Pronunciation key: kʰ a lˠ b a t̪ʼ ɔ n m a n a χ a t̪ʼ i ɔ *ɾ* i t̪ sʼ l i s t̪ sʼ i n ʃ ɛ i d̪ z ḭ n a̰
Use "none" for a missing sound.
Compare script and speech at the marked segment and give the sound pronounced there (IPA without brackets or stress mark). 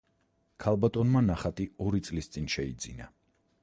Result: ɾ